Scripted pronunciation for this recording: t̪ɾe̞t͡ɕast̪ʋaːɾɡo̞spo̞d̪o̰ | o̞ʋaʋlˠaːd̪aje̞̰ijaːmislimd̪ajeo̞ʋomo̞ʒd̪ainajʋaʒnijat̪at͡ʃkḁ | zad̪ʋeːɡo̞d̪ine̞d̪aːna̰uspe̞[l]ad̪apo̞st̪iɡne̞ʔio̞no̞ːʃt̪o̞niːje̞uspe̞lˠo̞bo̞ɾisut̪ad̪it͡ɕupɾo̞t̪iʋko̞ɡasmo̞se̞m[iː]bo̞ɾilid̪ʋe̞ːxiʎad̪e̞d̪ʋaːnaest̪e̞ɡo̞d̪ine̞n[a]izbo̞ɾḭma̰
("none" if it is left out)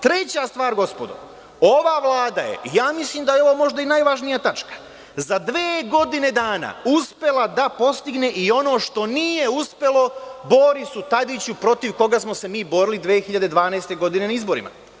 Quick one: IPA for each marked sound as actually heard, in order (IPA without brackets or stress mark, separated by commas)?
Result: l, iː, a